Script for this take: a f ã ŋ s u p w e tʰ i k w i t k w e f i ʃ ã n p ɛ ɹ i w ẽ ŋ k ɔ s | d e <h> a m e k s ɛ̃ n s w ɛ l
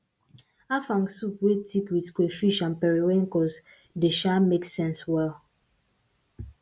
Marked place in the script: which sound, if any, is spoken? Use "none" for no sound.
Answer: ʃ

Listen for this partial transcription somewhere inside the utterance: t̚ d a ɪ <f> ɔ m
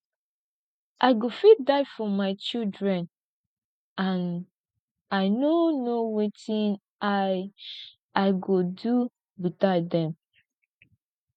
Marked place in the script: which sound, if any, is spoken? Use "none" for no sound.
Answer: f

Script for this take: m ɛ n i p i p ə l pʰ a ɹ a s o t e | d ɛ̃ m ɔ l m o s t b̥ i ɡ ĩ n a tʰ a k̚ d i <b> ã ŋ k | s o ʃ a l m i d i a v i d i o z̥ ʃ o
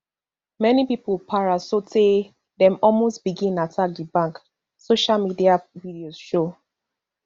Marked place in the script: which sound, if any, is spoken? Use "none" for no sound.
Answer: b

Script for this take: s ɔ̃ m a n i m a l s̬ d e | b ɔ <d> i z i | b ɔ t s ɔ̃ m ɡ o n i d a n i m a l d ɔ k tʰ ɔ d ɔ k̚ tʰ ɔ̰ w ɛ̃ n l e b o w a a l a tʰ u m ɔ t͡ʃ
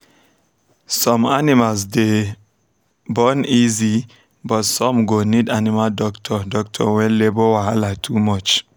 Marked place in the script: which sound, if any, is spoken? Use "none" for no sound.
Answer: n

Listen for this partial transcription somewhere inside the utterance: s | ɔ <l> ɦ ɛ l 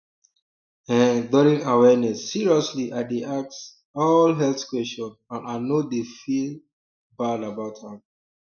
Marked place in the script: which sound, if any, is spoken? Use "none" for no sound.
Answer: l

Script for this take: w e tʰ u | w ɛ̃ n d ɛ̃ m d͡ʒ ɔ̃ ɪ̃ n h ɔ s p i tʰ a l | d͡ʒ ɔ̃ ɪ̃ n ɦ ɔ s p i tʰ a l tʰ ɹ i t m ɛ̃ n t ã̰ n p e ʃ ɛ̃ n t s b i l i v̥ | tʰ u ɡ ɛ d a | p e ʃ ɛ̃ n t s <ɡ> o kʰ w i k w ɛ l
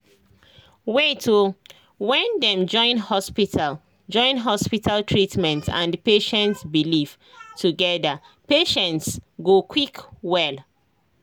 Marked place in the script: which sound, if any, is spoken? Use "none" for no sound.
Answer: ɡ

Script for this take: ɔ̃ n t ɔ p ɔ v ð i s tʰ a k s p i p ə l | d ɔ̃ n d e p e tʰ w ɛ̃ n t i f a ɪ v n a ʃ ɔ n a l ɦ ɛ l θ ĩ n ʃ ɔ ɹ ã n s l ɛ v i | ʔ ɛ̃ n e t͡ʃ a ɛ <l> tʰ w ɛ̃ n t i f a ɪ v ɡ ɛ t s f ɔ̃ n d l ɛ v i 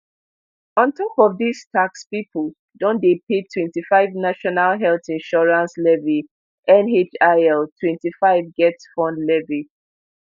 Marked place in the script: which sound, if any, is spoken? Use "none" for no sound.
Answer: l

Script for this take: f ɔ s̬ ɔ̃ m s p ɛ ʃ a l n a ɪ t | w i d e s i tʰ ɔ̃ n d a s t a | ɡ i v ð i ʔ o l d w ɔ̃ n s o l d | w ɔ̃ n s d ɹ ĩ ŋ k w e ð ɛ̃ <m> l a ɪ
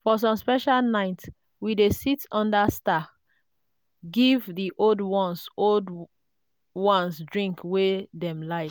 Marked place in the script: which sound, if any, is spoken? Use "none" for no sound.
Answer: m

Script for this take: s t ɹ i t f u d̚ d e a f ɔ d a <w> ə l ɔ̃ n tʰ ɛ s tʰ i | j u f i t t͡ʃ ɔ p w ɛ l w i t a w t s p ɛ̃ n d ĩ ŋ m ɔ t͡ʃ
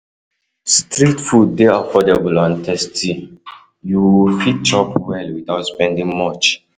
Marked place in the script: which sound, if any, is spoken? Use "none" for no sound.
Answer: b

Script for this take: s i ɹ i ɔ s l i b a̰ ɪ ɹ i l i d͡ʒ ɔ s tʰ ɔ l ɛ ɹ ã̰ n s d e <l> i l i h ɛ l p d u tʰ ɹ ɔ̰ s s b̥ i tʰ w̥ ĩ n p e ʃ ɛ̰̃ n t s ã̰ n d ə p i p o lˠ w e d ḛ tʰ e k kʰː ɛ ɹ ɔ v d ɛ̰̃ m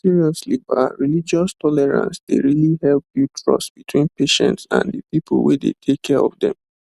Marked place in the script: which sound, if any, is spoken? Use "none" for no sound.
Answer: ɹ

